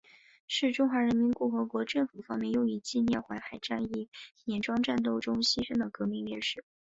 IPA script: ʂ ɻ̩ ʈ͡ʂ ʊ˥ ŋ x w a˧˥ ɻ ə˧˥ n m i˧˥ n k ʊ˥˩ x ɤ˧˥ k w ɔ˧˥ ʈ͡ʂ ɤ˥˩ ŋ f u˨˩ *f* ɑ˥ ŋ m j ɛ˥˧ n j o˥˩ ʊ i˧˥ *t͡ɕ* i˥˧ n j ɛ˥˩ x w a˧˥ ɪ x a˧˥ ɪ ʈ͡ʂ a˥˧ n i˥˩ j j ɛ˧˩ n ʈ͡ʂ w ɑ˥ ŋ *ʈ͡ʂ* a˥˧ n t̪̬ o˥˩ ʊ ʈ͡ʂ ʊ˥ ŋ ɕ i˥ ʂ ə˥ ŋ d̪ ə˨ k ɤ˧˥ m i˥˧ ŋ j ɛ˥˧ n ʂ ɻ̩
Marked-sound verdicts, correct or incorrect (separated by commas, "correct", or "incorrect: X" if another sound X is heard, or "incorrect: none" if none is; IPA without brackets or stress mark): correct, correct, correct